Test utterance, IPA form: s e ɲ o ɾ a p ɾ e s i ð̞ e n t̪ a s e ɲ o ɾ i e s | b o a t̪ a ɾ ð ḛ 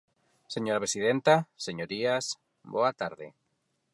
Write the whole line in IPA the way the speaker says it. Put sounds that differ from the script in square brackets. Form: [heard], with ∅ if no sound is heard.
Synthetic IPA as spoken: s e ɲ o ɾ a p ɾ e s i ð̞ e n t̪ a s e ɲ o ɾ i [a] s | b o a t̪ a ɾ ð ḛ